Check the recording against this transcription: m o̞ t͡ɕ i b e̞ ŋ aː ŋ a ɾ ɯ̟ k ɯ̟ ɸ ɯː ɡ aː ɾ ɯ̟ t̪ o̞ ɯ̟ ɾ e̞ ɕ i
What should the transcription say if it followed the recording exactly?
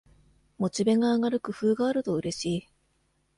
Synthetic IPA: m o̞ t͡ɕ i b e̞ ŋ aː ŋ a ɾ ɯ̟ k ɯ̟ ɸ ɯː ɡ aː ɾ ɯ̟ t̪ o̞ ɯ̟ ɾ e̞ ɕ iː